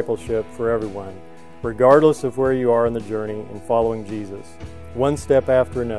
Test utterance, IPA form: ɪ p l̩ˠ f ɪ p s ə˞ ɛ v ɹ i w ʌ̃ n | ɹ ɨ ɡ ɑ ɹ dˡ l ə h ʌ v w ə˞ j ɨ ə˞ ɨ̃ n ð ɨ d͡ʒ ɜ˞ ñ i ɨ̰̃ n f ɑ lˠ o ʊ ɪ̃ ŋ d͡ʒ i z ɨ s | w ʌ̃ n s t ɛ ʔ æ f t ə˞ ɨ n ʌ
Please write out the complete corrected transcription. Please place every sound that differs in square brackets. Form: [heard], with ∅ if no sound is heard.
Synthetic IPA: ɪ p l̩ˠ [ʃ] ɪ p [f] ə˞ ɛ v ɹ i w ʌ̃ n | ɹ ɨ ɡ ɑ ɹ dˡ l ə [s] ʌ v w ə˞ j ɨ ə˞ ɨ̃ n ð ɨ d͡ʒ ɜ˞ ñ i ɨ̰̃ n f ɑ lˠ o ʊ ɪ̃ ŋ d͡ʒ i z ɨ s | w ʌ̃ n s t ɛ [p] æ f t ə˞ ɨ n ʌ